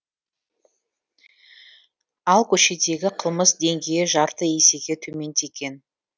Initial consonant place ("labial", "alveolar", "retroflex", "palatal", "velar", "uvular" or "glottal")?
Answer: alveolar